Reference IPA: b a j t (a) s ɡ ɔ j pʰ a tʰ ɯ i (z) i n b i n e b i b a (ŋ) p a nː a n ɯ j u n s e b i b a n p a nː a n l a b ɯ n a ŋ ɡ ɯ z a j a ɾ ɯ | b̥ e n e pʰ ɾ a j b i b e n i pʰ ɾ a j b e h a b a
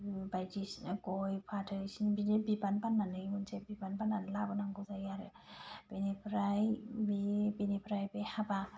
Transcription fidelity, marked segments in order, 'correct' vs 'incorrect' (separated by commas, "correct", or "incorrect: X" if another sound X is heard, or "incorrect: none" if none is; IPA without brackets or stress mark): incorrect: i, incorrect: s, incorrect: n